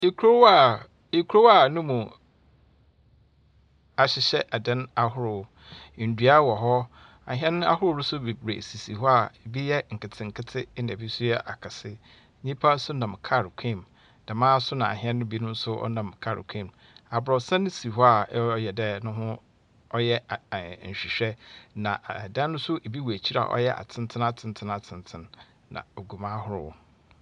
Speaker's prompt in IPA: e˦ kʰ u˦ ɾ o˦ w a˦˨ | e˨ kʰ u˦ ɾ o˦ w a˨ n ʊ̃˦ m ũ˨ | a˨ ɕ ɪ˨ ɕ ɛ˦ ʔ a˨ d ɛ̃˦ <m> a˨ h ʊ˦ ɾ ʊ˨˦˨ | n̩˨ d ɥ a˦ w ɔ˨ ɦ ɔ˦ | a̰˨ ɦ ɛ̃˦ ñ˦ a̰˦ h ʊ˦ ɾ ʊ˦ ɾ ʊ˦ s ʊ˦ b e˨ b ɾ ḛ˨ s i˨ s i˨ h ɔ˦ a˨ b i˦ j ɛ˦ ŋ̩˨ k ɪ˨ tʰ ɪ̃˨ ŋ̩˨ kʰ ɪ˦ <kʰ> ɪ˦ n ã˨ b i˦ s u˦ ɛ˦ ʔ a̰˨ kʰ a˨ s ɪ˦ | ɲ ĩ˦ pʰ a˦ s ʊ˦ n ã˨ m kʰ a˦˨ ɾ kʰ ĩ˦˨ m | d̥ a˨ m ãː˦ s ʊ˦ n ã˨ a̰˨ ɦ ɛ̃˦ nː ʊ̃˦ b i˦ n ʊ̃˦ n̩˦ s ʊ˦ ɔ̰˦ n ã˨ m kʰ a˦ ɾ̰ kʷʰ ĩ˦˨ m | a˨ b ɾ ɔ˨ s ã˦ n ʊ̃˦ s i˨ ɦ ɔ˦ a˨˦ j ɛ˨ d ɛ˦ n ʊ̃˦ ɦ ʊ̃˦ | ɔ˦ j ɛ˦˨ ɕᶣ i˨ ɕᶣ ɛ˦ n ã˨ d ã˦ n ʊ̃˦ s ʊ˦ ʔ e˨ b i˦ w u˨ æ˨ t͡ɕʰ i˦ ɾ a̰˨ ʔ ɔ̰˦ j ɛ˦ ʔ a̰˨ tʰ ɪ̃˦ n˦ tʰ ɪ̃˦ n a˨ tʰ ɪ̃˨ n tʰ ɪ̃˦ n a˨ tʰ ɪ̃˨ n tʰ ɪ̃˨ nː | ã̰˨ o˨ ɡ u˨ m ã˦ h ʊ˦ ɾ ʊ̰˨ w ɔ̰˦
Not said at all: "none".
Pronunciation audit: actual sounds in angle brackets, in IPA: n, tʰ

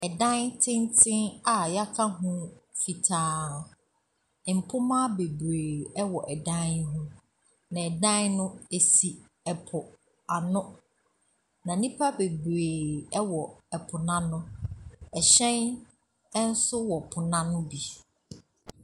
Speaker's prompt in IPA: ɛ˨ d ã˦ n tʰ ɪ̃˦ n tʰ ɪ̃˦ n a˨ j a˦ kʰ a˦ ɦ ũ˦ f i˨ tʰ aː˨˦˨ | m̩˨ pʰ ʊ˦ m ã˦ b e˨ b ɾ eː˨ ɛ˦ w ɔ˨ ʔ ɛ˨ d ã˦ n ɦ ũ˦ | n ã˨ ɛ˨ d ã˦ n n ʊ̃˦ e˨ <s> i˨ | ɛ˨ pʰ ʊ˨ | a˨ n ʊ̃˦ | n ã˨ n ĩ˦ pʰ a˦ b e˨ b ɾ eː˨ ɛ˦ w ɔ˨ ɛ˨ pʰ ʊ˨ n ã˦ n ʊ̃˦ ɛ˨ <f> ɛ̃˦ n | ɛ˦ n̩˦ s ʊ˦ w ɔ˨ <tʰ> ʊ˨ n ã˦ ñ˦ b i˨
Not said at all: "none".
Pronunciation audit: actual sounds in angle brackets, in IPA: s, ɕ, pʰ

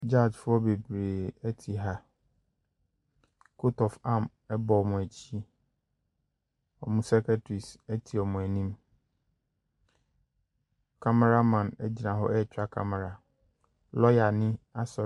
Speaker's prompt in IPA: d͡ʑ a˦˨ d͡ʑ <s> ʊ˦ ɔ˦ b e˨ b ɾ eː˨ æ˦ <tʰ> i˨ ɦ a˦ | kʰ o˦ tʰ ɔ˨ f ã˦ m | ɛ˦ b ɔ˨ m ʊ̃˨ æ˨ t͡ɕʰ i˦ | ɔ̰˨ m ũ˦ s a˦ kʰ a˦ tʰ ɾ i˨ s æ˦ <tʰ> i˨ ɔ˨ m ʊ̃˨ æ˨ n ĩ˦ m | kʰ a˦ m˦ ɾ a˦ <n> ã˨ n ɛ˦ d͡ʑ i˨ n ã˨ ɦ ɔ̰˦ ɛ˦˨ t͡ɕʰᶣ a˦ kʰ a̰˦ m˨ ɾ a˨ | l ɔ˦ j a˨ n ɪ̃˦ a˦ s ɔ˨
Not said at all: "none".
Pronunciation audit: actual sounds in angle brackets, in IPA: f, tʰ, tʰ, m

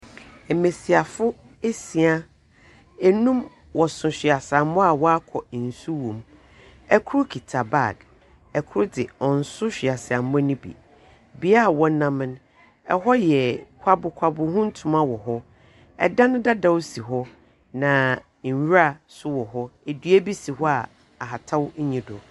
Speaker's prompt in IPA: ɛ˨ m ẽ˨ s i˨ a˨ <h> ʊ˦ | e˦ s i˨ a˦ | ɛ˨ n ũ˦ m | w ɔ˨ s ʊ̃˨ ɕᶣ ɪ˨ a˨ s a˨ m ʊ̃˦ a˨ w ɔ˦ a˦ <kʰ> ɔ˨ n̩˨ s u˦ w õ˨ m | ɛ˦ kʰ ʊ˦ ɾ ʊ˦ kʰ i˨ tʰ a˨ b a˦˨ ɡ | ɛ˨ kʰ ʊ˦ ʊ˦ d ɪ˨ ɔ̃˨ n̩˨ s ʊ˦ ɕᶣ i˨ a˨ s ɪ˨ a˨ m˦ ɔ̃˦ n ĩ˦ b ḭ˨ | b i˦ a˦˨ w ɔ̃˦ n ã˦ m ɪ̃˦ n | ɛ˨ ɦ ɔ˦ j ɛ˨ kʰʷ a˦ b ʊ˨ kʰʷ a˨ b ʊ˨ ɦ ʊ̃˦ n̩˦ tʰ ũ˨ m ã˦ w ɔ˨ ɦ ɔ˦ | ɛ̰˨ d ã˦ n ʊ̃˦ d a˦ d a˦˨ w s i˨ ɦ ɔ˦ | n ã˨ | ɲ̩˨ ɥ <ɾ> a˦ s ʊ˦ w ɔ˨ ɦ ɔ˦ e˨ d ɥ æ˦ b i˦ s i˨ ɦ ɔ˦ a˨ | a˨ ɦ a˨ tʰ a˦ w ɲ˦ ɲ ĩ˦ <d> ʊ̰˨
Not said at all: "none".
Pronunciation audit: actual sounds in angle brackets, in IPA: f, kʰ, ɾ, d

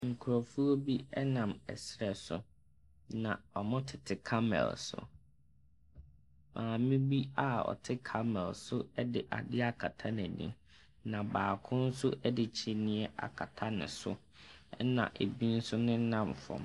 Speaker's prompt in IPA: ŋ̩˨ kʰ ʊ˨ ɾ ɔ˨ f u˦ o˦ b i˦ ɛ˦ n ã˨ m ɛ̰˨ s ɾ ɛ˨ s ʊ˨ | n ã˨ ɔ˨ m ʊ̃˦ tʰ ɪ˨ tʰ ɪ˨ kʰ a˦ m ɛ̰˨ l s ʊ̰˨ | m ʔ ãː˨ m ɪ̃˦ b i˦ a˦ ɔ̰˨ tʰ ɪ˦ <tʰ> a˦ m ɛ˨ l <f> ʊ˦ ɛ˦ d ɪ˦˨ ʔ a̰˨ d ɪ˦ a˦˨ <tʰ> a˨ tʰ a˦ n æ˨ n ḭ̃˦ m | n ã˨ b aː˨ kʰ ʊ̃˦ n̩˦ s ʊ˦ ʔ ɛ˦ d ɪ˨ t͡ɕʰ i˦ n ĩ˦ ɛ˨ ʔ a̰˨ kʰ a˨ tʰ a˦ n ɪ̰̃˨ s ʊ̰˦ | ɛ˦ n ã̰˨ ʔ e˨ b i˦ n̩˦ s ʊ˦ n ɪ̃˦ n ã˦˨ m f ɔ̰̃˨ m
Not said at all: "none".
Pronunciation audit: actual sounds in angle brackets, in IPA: kʰ, s, kʰ

